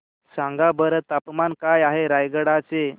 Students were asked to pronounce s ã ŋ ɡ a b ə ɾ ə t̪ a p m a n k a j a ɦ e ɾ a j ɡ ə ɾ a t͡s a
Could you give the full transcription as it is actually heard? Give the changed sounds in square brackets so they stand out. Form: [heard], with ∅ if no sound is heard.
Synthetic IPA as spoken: s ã ŋ ɡ a b ə ɾ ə t̪ a p m a n k a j a ɦ e ɾ a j ɡ ə [ɽ] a t͡s [e]